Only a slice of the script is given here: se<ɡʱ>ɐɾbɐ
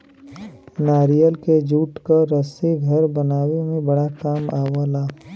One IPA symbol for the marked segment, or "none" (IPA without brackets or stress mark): ɡʱ